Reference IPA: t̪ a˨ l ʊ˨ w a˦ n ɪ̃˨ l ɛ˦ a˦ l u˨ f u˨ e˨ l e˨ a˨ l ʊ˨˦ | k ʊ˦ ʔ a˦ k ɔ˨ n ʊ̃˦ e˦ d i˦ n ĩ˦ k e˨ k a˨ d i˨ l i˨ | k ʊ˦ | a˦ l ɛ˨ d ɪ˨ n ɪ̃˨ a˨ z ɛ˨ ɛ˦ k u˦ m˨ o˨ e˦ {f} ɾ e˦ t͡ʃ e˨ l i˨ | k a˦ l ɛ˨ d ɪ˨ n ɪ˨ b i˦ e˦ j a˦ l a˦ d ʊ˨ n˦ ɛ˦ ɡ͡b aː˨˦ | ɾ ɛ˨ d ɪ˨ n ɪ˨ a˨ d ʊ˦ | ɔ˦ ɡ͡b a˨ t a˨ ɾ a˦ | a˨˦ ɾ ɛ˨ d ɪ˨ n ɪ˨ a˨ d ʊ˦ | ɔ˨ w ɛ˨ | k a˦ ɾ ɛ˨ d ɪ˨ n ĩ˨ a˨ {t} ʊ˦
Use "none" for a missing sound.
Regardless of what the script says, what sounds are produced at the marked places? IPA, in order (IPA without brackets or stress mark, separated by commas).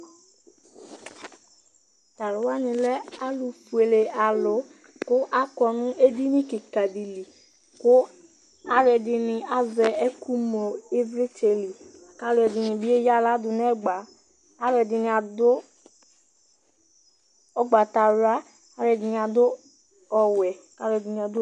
v, d